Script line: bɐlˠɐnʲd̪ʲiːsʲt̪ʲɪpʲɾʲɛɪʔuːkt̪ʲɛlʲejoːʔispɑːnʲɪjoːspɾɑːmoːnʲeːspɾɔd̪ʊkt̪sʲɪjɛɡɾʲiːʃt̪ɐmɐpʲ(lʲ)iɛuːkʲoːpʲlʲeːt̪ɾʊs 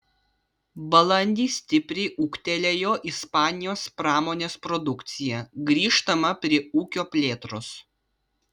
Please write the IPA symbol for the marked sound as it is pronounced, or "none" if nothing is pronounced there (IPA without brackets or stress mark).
ɾʲ